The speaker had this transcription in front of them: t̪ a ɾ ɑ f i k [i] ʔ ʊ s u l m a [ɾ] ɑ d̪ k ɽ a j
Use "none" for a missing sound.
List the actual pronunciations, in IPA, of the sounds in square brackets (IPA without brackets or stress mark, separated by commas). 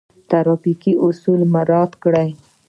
i, ɾ